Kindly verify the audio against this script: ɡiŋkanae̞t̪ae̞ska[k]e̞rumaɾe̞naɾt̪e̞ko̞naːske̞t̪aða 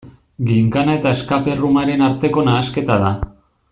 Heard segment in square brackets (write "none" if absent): p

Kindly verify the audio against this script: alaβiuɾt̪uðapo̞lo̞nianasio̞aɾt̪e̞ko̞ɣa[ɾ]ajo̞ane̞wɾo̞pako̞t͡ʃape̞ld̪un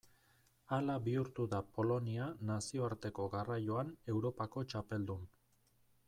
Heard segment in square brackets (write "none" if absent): r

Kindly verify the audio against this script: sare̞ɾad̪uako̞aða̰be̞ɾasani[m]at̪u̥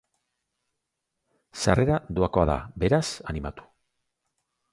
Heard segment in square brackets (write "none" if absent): m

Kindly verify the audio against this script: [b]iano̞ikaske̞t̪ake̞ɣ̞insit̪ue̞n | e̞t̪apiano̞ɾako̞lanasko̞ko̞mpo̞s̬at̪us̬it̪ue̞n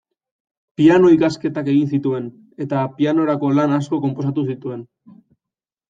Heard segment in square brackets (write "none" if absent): p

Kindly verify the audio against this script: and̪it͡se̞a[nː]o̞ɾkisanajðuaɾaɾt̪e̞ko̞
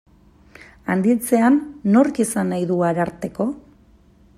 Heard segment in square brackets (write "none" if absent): nː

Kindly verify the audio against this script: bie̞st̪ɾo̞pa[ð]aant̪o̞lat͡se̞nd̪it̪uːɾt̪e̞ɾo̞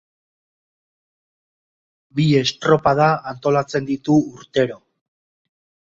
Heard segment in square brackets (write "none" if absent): ð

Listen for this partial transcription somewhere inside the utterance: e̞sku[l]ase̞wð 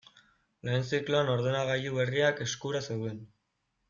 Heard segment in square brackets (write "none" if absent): ɾ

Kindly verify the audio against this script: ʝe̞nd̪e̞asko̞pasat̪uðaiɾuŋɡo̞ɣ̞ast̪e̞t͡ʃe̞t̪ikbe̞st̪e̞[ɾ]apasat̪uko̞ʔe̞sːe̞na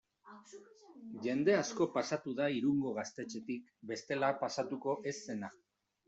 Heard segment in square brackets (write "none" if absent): l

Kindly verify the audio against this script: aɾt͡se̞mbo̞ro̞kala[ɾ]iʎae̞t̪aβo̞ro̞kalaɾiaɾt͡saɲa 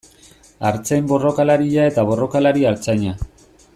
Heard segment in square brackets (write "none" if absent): ɾ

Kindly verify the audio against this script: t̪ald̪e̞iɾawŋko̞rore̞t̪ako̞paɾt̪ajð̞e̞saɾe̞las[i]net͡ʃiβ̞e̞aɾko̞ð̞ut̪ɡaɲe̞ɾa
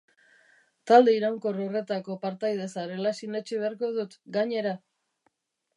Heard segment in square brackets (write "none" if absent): i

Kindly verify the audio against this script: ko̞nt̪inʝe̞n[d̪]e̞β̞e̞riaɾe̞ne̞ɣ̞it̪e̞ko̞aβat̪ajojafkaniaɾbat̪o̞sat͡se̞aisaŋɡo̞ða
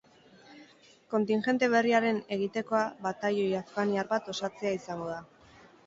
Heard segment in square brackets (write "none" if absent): t̪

